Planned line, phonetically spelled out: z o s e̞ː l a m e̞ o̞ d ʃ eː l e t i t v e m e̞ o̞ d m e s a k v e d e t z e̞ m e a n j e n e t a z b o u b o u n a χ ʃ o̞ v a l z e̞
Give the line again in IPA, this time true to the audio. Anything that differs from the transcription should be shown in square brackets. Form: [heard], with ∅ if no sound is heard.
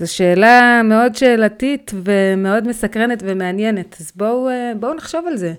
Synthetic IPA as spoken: z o [ʃ] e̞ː l a m e̞ o̞ d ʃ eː l [a] t i t v e m e̞ o̞ d m e s a k [ʁ] e [n] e t [v] e̞ m e a n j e n e t a z b o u b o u n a χ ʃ o̞ v a l z e̞